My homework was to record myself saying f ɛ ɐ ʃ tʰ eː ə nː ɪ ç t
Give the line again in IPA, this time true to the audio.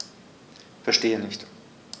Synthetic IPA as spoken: f ɛ ɐ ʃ t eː ə n ɪ ç t

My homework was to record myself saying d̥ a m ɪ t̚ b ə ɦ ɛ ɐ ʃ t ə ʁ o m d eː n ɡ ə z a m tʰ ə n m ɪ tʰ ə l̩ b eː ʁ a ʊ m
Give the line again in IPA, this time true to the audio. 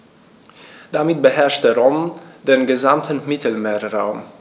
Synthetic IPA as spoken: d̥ a m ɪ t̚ b ə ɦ ɛ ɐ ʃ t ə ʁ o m d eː n ɡ ə z a m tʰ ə n m ɪ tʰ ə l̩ m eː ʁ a ʊ m

